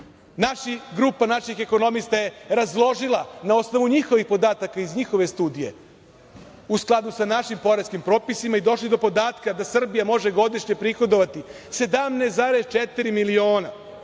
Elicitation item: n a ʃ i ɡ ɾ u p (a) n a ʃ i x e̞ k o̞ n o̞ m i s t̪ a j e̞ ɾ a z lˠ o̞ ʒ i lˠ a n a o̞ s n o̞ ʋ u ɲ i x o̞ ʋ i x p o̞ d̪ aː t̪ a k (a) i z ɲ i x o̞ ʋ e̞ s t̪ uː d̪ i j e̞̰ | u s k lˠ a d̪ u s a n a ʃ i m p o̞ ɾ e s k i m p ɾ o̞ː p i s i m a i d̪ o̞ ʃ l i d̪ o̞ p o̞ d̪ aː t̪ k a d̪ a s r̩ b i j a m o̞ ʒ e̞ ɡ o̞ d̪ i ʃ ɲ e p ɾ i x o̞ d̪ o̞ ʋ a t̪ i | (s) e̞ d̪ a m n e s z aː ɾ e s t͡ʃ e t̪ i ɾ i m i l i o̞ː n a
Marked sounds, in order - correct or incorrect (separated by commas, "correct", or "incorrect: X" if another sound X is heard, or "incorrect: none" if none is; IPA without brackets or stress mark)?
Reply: correct, correct, correct